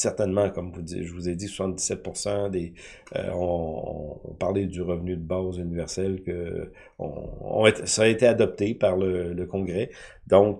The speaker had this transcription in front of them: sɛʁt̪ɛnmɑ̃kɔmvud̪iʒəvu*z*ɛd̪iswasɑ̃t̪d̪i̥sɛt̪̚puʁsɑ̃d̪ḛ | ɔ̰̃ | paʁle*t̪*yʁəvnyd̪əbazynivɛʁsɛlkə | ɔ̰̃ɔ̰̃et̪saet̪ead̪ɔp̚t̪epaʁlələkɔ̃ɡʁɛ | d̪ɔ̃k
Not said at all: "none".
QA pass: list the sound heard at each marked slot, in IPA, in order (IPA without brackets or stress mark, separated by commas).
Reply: z, d̪